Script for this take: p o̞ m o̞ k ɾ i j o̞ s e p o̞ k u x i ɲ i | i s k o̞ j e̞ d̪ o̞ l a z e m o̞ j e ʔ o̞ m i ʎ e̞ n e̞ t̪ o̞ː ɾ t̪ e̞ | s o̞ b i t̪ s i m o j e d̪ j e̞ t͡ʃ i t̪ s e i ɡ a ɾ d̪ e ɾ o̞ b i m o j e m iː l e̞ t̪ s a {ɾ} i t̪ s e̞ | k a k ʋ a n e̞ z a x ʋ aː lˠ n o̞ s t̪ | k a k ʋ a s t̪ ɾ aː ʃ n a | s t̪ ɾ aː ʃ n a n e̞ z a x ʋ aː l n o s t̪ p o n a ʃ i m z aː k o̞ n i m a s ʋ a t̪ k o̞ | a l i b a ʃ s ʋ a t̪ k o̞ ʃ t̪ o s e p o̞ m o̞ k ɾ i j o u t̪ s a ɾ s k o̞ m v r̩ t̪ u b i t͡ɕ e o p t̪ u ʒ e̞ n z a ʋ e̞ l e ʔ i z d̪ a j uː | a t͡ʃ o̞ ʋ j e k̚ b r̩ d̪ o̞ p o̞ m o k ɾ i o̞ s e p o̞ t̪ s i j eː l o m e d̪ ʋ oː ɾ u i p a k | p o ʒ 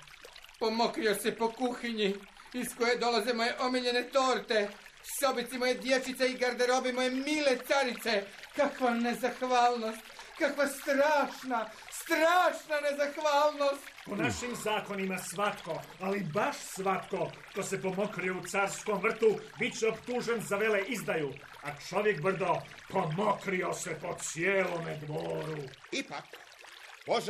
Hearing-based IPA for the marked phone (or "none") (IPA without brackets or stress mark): ɾ